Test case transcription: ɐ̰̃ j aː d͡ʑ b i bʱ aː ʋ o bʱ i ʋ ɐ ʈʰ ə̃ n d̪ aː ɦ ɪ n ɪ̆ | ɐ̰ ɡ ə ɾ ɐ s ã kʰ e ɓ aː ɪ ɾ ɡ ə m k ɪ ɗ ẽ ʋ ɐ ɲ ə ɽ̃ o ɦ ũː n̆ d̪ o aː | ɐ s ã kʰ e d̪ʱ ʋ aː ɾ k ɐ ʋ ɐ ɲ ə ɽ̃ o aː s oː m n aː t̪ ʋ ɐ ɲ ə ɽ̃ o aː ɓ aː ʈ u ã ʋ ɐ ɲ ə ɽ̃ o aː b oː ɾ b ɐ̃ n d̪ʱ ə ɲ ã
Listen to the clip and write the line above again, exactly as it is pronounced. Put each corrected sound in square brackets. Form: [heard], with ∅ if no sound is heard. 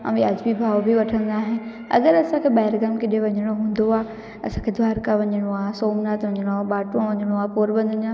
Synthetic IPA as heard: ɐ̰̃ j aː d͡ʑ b i bʱ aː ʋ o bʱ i ʋ ɐ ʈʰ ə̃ n d̪ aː ɦ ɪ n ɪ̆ | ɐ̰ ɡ ə ɾ ɐ s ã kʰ e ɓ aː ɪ ɾ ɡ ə m k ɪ ɗ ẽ ʋ ɐ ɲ ə ɽ̃ o ɦ ũː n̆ d̪ o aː | ɐ s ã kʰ e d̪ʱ ʋ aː ɾ k [a] ʋ ɐ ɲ ə ɽ̃ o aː s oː m n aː t̪ ʋ ɐ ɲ ə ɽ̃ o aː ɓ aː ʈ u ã ʋ ɐ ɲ ə ɽ̃ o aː [p] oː ɾ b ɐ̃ n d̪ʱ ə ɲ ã